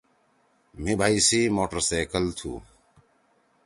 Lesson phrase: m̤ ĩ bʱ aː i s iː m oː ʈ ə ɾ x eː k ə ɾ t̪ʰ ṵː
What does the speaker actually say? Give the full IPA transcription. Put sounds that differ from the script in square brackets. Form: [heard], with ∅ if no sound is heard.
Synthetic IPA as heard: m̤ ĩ bʱ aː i s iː m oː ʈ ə ɾ [s] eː k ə [l] t̪ʰ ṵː